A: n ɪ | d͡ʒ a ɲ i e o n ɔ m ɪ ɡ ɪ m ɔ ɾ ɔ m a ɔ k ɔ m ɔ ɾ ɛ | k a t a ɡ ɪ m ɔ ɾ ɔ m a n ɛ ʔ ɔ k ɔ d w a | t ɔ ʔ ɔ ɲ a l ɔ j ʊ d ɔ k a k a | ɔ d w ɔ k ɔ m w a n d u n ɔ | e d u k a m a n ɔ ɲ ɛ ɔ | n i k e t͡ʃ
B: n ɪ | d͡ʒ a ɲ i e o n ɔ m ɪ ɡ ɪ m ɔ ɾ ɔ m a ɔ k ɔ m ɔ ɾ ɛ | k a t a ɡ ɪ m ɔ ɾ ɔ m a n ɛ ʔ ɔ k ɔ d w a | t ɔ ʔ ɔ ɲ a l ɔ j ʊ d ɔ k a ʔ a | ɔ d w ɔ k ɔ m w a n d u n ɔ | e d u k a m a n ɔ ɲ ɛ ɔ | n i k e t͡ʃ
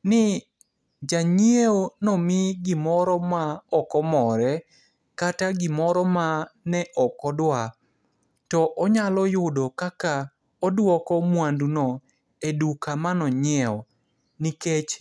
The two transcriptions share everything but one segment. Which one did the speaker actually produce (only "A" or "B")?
A